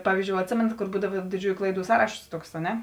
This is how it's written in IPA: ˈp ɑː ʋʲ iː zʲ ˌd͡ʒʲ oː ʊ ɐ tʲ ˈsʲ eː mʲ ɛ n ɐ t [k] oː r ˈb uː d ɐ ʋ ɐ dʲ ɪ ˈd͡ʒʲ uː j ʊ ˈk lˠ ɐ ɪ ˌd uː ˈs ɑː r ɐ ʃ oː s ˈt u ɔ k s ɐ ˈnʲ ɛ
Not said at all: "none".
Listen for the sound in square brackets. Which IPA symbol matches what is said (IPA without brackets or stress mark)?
k